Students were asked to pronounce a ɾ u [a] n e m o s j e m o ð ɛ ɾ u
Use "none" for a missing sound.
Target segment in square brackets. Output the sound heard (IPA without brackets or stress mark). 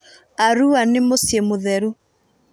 a